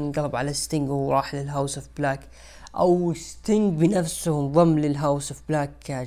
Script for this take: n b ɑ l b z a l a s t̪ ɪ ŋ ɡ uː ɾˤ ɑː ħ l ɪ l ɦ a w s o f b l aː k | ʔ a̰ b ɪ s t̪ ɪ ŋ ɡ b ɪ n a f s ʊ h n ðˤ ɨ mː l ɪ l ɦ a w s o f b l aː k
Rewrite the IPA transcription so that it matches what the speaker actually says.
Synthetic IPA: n ɡ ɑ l b ʕ a l a s t̪ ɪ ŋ ɡ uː ɾˤ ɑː ħ l ɪ l ɦ a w s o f b l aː k | ʔ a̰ w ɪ s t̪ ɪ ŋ ɡ b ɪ n a f s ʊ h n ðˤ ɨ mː l ɪ l ɦ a w s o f b l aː k